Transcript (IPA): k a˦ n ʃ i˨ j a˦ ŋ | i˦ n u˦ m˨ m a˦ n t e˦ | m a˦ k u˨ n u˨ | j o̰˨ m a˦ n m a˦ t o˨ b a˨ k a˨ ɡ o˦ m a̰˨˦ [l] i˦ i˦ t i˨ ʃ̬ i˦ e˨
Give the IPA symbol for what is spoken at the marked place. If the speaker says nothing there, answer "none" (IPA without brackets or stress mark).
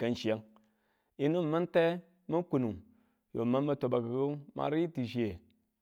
ɾ